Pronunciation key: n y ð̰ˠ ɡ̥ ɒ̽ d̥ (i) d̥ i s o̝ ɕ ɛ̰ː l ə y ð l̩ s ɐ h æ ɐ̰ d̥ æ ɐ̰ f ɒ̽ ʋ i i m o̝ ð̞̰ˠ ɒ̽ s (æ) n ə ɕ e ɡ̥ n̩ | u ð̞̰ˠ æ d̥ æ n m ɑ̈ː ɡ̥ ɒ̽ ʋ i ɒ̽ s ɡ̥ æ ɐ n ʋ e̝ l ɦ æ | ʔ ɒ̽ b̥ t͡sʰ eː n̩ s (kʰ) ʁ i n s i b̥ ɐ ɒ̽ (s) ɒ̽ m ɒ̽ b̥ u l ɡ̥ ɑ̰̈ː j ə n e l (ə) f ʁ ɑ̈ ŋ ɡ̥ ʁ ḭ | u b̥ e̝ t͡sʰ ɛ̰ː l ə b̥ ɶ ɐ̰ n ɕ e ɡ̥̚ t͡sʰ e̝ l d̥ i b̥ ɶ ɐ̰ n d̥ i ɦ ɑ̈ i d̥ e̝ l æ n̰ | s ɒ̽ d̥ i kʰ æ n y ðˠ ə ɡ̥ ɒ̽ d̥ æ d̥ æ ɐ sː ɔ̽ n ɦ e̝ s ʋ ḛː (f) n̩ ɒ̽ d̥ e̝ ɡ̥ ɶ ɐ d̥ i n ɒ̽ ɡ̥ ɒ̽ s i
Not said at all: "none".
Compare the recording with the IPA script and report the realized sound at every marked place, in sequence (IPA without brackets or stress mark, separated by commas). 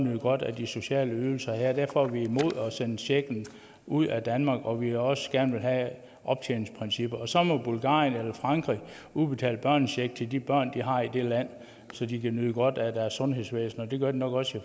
æ, e, pʰ, s, ɐ, s